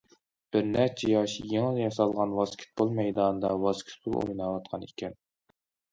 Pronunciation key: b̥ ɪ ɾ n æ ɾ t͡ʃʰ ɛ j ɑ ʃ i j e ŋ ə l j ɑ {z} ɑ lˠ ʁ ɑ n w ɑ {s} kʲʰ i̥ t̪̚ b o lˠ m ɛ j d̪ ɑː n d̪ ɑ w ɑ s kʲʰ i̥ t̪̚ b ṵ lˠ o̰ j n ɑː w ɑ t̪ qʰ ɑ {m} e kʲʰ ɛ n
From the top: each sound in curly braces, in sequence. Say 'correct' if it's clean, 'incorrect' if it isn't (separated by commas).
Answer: incorrect, correct, incorrect